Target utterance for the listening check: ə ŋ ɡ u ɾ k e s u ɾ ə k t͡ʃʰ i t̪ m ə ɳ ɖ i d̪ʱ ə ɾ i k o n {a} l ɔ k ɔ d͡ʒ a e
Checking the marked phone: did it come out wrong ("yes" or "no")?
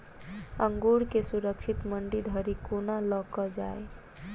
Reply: no